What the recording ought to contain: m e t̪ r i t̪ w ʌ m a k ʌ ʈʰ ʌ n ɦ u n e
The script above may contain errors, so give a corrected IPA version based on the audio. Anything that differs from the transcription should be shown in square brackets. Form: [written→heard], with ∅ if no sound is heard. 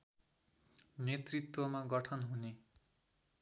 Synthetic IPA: [m→n] e t̪ r i t̪ w ʌ m a [k→ɡ] ʌ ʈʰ ʌ n ɦ u n e